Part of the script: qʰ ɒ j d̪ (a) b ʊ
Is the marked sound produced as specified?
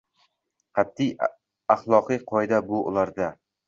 yes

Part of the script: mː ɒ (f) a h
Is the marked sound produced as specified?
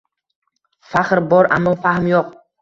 yes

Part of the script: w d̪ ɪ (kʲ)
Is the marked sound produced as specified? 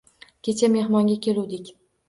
yes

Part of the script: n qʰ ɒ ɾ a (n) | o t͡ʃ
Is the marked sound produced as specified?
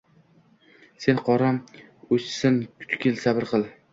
no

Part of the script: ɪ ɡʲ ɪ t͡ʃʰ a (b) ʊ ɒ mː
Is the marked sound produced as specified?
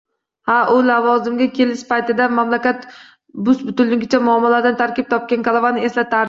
no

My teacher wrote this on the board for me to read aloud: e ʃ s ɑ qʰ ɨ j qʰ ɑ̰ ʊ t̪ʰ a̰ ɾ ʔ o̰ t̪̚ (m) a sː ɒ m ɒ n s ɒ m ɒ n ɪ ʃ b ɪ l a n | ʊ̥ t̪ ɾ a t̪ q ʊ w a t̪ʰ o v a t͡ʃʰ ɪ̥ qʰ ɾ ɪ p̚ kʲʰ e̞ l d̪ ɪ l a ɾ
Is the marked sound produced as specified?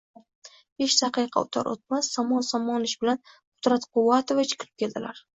yes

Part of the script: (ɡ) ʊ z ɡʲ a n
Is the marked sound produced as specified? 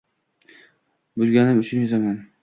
no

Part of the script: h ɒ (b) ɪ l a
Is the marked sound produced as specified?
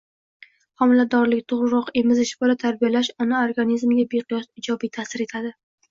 no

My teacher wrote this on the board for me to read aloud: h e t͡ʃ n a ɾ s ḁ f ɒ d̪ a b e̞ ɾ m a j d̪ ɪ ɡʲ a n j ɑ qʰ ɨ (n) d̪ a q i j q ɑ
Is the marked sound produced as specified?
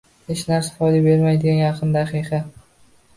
yes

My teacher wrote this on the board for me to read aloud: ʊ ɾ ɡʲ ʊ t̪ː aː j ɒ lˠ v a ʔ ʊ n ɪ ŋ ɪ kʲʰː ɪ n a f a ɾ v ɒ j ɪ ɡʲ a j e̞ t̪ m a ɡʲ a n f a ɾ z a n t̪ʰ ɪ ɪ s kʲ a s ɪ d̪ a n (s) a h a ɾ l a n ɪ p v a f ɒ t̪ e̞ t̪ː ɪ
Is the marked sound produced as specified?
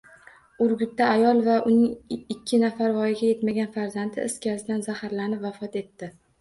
no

